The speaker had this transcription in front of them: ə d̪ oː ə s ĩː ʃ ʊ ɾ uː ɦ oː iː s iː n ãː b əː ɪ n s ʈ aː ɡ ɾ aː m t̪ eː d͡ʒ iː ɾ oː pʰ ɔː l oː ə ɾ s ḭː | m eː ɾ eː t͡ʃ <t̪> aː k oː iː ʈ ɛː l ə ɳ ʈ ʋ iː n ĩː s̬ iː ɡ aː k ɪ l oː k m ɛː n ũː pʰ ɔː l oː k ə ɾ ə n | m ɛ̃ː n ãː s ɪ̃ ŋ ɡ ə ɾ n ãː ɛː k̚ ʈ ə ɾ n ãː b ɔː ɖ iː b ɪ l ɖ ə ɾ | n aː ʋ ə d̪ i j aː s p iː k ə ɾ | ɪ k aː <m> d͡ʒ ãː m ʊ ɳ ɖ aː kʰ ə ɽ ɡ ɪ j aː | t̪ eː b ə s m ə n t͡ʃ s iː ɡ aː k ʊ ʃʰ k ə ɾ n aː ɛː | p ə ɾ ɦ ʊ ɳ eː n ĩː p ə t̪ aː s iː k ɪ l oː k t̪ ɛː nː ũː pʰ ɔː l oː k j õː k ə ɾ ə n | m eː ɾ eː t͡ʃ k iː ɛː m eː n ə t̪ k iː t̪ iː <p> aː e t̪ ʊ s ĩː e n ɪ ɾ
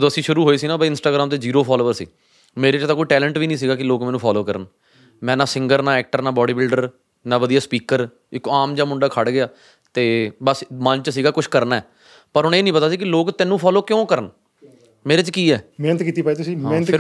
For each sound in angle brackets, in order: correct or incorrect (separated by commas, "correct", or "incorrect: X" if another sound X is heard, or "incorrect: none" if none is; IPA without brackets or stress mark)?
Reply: correct, correct, correct